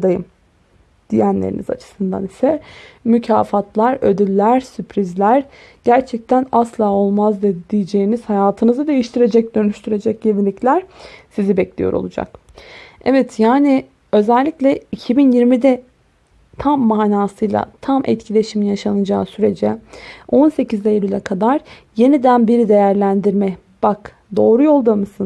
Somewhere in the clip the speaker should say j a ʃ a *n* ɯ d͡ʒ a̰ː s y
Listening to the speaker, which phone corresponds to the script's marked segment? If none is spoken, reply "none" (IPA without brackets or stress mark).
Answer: n